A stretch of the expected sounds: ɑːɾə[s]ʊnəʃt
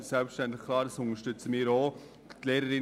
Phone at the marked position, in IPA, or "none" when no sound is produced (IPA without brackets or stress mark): s